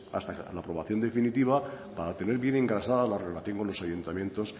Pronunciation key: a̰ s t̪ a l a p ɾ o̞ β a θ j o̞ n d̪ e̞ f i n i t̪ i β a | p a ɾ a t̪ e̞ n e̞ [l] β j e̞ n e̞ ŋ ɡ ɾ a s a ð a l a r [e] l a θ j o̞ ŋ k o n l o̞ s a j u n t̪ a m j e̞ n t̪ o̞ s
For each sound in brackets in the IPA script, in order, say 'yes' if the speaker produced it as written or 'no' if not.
no, yes

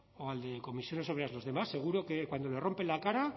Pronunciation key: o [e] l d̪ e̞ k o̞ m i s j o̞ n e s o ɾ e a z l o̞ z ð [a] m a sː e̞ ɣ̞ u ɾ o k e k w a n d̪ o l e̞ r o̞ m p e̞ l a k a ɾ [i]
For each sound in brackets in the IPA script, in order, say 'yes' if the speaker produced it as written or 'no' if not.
no, no, no

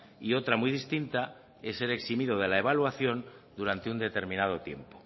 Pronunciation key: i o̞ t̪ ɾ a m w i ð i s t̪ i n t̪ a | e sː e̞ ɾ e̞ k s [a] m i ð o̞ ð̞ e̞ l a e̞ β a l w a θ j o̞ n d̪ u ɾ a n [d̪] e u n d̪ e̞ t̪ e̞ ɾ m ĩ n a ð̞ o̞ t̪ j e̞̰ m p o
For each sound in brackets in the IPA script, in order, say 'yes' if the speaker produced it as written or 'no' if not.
no, no

